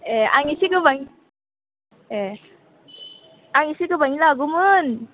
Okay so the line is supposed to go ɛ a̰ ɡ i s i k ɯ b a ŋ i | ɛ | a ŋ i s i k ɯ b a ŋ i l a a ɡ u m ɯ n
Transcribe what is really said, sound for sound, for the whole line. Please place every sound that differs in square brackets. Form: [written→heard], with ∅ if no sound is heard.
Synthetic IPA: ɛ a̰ [ɡ→ŋ] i s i k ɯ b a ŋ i | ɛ | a ŋ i s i k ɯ b a ŋ i l a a ɡ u m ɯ n